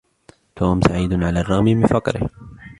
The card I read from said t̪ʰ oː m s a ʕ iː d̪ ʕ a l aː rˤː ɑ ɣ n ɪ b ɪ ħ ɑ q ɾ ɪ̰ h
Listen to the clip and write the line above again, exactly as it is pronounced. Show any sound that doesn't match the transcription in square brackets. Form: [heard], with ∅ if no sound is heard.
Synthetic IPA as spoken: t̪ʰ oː m s a ʕ iː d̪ ʕ a l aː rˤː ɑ ɣ [m] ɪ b ɪ [f] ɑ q ɾ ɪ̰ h